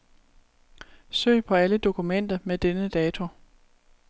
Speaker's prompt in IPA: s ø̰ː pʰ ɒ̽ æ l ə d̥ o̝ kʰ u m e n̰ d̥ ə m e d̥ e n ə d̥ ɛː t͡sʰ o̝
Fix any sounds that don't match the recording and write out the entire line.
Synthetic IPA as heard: s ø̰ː pʰ ɒ̽ æ l ə d̥ o̝ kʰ u m e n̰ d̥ ɐ m e d̥ e n ə d̥ ɛː t͡sʰ o̝